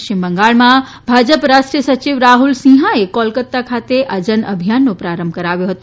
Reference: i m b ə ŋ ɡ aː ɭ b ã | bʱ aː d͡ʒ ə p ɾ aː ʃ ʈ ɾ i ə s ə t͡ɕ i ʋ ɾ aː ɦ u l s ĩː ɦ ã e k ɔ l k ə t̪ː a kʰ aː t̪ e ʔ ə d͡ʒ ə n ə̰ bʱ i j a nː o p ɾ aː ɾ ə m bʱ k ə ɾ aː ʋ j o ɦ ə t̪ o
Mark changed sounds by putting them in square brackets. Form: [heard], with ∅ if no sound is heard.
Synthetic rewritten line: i m b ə ŋ ɡ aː ɭ [m] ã | bʱ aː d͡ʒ ə p ɾ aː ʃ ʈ ɾ i ə s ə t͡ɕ i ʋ ɾ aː ɦ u l s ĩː ɦ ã e k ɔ l k ə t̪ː a kʰ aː t̪ e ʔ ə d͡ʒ ə n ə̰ bʱ i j a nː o p ɾ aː ɾ ə m bʱ k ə ɾ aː ʋ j o ɦ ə t̪ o